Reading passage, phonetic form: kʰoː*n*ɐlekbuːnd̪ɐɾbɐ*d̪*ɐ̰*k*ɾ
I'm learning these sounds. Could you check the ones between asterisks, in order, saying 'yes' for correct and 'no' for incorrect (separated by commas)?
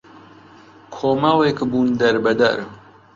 no, yes, no